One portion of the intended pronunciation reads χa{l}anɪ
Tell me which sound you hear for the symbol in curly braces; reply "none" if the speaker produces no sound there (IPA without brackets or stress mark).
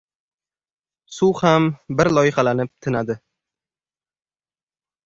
l